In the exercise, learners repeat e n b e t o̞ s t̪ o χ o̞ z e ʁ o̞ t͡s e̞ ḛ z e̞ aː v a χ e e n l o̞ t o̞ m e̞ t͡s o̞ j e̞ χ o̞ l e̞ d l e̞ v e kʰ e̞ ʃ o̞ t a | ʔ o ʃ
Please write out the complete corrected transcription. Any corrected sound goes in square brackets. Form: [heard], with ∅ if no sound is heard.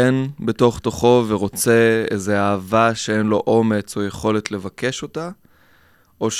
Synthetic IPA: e n b e t o̞ [χ] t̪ o χ o̞ [v] e ʁ o̞ t͡s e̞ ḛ z e̞ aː v a [ʃ] e e n l o̞ [ʔ] o̞ m e̞ t͡s o̞ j e̞ χ o̞ l e̞ [t] l e̞ v [a] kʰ e̞ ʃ o̞ t a | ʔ o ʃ